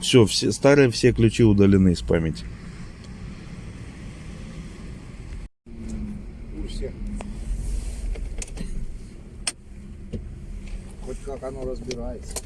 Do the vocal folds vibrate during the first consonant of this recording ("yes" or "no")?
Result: no